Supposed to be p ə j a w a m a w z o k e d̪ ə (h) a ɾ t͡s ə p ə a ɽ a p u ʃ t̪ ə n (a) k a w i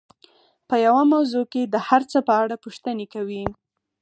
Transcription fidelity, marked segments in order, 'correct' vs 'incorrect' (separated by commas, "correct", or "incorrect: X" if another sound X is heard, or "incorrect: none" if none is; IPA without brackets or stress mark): correct, incorrect: e